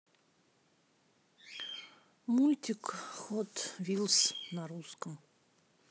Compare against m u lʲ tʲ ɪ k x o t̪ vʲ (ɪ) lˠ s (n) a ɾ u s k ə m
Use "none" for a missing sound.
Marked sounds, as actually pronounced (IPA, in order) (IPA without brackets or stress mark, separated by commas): i, n